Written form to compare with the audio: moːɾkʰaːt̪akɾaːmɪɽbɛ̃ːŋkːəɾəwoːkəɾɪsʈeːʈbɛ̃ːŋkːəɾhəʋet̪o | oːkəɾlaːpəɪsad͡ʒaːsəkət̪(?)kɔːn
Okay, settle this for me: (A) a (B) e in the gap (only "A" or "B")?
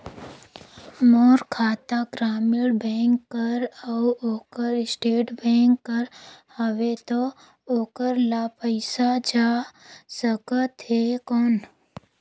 B